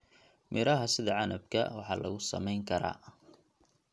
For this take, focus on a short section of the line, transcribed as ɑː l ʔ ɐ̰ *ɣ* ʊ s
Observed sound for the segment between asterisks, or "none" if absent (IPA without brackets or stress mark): ɣ